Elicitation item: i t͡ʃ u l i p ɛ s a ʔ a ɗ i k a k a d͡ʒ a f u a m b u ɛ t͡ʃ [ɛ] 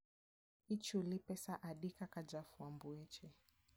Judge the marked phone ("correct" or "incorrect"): correct